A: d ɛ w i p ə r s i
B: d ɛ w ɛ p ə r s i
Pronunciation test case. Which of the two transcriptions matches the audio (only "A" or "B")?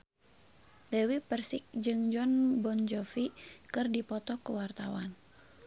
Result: A